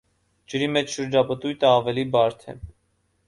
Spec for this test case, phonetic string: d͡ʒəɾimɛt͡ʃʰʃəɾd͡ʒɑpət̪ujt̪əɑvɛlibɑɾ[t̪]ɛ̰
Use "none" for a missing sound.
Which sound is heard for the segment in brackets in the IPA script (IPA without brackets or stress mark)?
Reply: t̪ʰ